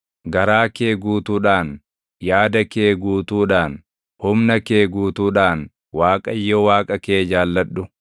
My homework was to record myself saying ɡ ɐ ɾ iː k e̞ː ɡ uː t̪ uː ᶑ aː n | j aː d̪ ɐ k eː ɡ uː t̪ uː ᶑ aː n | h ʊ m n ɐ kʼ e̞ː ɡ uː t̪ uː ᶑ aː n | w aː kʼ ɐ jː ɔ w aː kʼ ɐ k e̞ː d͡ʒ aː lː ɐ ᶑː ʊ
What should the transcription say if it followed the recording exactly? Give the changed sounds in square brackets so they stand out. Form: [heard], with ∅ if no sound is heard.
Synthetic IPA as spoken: ɡ ɐ ɾ [aː] k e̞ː ɡ uː t̪ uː ᶑ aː n | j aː d̪ ɐ k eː ɡ uː t̪ uː ᶑ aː n | h ʊ m n ɐ [k] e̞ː ɡ uː t̪ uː ᶑ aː n | w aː kʼ ɐ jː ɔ w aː kʼ ɐ k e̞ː d͡ʒ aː lː ɐ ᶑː ʊ